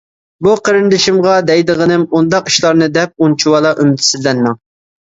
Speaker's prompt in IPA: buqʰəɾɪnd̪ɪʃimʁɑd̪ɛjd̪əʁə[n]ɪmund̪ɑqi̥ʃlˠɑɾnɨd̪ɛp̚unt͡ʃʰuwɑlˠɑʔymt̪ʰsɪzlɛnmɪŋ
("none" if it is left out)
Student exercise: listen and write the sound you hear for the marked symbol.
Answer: n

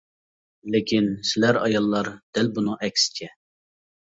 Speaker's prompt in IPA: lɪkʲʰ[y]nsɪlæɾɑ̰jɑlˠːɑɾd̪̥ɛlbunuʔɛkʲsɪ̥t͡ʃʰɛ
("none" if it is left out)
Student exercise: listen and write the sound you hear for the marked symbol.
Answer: i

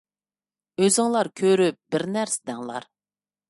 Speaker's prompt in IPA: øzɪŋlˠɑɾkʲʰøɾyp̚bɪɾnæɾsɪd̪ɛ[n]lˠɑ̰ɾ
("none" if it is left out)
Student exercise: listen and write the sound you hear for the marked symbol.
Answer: ŋ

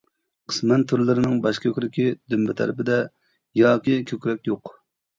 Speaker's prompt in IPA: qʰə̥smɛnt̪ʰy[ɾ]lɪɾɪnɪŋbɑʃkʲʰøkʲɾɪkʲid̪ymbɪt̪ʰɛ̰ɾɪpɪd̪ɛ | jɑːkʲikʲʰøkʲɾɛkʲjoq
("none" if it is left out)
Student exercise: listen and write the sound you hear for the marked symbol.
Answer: ɾ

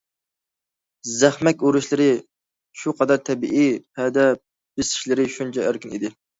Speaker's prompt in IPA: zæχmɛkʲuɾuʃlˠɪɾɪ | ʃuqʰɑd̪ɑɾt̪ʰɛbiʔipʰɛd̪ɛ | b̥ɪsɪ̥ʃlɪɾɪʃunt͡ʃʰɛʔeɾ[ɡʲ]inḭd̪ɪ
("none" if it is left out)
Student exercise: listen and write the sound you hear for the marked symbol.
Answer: kʲ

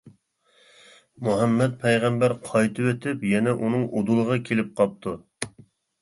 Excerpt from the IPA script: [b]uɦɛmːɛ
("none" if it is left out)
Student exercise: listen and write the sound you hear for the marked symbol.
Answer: m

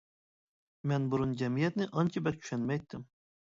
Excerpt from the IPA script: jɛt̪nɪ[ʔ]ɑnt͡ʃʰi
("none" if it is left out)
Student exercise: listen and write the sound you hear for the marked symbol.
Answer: ʔ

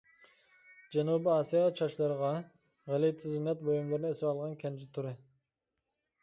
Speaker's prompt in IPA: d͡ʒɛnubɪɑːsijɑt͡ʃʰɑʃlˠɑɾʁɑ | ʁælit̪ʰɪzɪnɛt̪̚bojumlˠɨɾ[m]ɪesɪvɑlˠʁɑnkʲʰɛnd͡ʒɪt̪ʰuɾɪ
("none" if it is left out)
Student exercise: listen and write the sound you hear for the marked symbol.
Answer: n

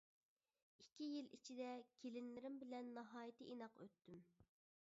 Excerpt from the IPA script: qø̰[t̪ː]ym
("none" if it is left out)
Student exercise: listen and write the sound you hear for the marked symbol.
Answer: t̪ː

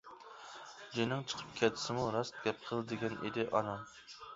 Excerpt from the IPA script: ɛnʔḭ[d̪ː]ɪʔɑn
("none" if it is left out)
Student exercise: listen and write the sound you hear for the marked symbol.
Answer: d̪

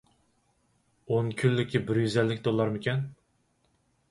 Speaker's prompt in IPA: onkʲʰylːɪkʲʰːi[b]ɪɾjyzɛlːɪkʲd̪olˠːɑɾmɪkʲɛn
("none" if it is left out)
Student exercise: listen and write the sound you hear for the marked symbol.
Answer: b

